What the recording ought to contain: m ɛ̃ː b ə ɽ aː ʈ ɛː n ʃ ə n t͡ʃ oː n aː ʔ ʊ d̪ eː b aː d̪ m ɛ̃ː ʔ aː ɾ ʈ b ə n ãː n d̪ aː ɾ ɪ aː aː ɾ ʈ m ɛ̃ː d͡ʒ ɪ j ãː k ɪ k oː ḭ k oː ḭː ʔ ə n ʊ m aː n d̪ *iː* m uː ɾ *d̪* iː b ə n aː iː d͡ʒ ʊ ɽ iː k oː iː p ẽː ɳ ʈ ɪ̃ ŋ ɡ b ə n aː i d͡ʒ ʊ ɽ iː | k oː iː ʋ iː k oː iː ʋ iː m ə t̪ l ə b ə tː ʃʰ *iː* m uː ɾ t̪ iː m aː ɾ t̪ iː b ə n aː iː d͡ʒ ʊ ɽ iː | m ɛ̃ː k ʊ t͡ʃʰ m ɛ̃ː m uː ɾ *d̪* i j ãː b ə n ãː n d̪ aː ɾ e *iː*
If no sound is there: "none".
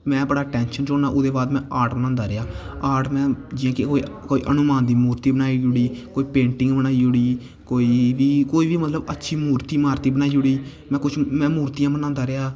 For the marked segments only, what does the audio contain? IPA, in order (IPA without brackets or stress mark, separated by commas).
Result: iː, t̪, iː, t̪, aː